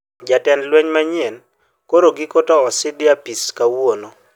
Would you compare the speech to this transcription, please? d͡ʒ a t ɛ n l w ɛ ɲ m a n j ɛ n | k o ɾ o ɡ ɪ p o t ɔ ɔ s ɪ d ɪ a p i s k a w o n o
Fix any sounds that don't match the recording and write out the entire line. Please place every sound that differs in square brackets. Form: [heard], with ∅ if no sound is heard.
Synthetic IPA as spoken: d͡ʒ a t ɛ n l w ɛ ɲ m a [ɲ] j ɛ n | k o ɾ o ɡ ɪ [k] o t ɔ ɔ s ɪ d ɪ a p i s k a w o n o